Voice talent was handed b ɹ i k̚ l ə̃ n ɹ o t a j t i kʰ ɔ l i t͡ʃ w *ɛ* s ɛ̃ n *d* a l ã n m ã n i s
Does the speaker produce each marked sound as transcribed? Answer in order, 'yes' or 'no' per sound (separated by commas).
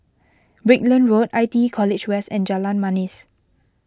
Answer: yes, no